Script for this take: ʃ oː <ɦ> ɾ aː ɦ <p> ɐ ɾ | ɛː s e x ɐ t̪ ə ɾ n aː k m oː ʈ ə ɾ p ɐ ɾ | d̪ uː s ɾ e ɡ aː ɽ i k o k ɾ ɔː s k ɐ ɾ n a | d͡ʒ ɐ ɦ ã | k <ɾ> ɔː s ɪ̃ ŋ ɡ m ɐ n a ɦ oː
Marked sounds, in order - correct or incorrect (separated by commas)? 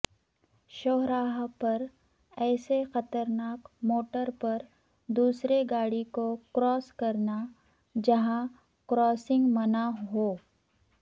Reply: correct, correct, correct